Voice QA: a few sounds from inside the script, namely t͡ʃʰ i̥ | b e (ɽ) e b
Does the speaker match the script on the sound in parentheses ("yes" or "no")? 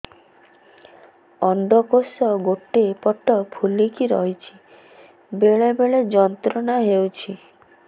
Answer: no